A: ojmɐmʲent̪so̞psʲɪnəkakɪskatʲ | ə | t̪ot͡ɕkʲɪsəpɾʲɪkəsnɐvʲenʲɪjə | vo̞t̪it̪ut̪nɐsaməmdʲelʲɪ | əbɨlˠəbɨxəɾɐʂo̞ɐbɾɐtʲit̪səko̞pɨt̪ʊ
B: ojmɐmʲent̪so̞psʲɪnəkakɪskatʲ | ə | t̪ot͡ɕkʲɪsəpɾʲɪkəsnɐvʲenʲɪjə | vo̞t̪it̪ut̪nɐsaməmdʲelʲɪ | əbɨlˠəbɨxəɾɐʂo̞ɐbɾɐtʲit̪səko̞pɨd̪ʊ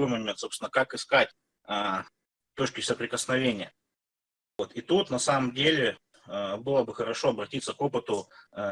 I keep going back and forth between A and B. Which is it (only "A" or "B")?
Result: A